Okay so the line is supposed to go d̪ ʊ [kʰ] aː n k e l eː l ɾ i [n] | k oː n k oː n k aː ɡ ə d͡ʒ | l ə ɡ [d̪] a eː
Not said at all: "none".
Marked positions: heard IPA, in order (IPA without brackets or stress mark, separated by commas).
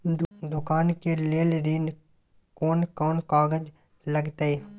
k, n, t̪